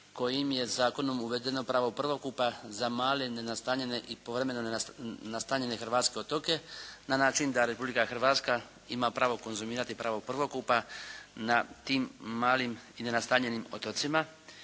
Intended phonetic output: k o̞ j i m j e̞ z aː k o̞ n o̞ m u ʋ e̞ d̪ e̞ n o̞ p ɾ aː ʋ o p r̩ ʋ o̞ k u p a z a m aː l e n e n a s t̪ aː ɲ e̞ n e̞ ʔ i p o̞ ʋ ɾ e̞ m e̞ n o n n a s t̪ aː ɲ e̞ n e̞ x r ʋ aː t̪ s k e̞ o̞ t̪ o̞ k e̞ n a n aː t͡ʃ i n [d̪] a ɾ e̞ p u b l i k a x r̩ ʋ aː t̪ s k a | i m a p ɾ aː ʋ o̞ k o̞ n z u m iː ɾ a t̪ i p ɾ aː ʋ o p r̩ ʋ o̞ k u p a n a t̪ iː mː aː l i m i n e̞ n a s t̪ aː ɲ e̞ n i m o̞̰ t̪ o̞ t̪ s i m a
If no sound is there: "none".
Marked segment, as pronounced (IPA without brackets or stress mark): d̪